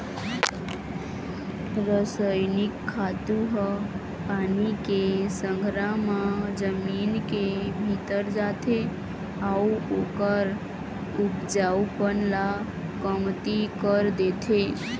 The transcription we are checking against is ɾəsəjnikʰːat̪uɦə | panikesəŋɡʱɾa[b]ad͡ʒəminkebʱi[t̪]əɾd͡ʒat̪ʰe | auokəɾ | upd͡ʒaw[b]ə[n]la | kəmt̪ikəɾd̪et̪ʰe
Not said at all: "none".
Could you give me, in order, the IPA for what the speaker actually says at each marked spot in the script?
m, t̪, p, n

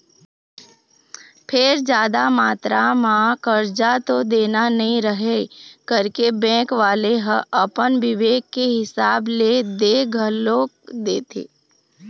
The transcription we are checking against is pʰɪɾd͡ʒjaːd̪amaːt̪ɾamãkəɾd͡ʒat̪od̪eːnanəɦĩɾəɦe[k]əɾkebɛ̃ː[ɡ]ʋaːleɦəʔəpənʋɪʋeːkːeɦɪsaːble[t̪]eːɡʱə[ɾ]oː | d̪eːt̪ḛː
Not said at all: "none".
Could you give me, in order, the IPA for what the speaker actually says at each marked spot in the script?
k, k, d̪, l

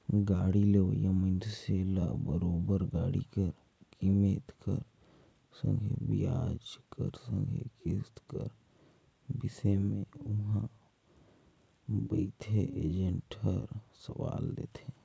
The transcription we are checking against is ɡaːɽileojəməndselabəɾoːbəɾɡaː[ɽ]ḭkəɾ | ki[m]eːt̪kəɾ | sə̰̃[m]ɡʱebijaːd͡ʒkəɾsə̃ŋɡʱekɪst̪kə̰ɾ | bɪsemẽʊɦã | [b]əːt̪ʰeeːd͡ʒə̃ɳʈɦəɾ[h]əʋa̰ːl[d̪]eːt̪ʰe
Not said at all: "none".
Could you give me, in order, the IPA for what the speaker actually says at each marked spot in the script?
ɽ, m, ŋ, b, s, d̪

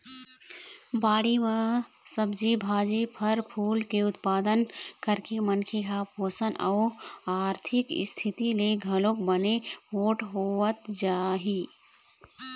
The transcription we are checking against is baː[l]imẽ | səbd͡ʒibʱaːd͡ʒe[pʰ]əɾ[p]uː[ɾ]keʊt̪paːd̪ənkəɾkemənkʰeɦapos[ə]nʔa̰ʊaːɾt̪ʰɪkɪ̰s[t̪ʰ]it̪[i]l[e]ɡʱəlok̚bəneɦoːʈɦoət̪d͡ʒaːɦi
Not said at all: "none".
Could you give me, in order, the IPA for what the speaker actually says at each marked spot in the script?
ɽ, pʰ, pʰ, l, ə, t̪ʰ, i, e

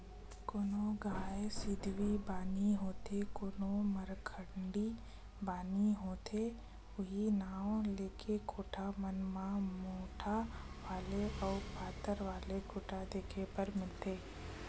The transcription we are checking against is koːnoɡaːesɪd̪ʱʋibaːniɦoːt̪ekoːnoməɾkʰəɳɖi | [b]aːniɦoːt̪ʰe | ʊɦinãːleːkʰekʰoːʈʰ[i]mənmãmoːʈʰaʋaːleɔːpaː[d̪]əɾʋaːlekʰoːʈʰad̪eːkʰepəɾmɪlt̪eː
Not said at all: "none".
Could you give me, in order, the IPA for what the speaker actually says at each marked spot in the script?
b, a, t̪

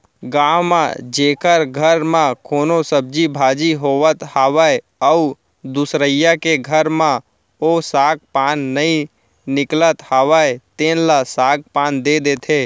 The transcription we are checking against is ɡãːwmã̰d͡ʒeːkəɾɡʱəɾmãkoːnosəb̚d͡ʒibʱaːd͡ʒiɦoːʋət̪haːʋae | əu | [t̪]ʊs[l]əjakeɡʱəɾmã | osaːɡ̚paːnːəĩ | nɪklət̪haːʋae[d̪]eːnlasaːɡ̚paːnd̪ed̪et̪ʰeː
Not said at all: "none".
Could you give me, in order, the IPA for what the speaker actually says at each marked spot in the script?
d̪, ɾ, t̪

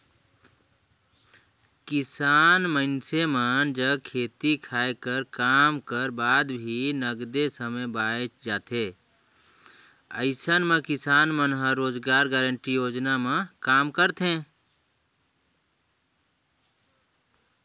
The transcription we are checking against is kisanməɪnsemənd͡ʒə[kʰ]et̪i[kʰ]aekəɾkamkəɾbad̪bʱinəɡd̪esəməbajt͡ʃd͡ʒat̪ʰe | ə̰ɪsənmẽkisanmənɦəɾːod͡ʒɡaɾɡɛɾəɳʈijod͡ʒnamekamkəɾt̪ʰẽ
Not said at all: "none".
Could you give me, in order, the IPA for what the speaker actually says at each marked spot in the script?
kʰ, kʰ

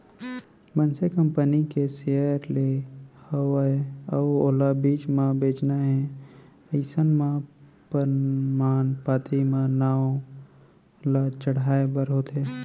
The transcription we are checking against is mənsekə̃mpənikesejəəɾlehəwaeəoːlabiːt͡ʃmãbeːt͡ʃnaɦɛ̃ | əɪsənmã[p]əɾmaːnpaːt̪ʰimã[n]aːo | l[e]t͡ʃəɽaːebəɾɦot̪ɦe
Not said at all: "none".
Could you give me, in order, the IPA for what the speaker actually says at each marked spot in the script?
p, n, a

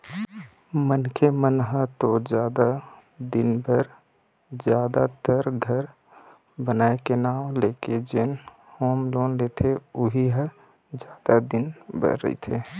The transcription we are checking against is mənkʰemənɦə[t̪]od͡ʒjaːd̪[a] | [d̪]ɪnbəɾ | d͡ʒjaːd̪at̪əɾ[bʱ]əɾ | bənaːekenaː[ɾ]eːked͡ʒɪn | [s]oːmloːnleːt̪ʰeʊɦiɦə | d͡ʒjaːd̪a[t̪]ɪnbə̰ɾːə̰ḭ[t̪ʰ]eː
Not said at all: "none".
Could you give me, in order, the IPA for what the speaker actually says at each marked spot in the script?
t̪, a, d̪, ɡʱ, l, h, d̪, t̪ʰ

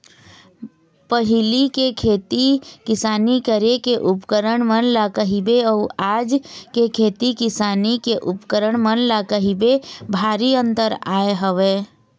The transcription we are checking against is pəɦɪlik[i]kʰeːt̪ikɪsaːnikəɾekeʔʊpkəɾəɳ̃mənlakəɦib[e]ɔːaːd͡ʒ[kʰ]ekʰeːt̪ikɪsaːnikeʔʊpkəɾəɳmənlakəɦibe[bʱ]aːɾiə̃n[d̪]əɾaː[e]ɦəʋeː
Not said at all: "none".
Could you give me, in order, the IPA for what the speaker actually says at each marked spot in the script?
e, e, k, bʱ, t̪, e

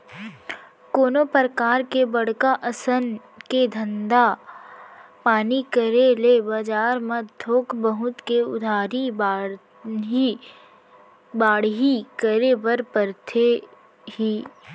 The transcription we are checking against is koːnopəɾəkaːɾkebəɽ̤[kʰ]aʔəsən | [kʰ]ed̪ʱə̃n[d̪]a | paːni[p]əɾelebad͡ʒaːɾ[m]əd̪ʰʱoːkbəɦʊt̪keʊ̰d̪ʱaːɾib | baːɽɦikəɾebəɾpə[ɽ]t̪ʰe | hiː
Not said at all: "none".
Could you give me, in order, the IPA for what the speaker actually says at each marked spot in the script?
k, k, d̪, k, m, ɾ

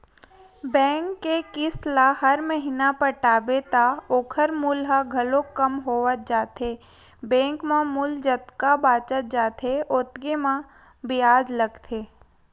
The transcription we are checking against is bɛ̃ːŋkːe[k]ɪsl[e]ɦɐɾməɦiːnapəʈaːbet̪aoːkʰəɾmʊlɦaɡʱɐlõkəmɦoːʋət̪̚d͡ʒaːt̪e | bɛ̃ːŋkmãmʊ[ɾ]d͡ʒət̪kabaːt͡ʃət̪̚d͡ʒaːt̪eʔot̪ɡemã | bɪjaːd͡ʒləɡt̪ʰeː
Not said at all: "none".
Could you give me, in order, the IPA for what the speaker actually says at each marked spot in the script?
k, a, l

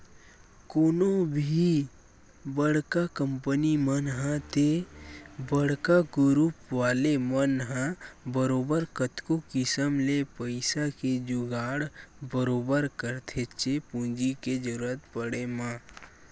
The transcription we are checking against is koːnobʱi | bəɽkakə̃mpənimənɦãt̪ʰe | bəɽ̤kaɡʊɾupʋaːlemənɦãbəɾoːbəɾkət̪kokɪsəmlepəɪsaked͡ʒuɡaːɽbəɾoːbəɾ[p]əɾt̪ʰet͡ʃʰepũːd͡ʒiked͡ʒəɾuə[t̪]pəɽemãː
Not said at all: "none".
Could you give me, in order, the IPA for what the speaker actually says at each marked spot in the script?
k, t̪

